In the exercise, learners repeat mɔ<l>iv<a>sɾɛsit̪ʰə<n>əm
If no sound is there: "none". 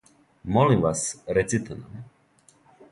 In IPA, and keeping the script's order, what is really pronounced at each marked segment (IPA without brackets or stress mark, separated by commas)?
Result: l, a, n